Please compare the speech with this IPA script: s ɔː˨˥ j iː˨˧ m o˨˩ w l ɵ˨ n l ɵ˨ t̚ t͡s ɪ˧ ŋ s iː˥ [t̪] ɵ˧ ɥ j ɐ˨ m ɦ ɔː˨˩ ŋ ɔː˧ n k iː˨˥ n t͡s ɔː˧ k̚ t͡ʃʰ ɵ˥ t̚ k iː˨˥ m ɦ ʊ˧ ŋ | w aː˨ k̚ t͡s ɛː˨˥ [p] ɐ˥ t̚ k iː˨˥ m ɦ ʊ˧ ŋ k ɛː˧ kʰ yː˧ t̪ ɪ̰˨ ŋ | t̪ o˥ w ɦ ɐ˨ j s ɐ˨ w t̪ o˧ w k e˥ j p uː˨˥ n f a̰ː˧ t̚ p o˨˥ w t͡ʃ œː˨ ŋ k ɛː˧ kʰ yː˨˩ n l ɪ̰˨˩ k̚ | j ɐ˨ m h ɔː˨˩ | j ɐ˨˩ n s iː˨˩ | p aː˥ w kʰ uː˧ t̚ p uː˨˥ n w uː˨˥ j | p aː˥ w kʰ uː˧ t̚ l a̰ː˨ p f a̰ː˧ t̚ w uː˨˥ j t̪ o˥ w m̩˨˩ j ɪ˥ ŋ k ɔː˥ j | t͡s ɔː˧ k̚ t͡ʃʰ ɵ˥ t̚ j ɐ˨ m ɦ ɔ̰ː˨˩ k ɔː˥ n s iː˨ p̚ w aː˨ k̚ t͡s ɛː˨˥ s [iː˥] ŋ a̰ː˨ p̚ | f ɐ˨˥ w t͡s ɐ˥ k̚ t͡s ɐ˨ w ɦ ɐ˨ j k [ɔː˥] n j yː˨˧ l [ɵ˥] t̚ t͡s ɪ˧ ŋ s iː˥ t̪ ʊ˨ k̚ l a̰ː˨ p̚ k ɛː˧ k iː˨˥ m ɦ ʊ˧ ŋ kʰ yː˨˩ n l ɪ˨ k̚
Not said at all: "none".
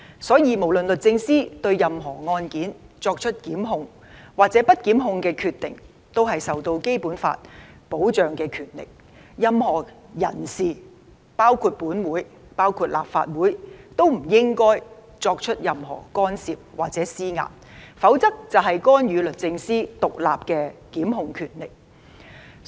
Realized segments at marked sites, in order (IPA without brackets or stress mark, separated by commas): t̪, p, iː˥, ɔː˥, ɵ˨